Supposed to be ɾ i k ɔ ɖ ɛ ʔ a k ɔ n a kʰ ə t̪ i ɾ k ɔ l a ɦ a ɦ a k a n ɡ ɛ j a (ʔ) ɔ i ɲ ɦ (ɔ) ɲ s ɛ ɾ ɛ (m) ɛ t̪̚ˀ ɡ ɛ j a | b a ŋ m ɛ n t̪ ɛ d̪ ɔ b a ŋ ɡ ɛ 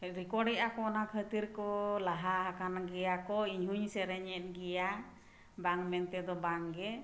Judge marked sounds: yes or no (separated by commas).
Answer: no, no, no